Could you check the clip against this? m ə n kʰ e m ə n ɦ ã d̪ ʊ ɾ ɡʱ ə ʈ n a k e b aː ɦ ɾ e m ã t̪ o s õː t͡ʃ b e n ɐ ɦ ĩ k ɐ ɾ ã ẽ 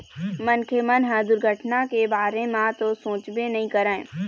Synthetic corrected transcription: m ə n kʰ e m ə n ɦ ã d̪ ʊ ɾ ɡʱ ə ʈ n a k e b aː ɾ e m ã t̪ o s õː t͡ʃ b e n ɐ ɦ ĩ k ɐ ɾ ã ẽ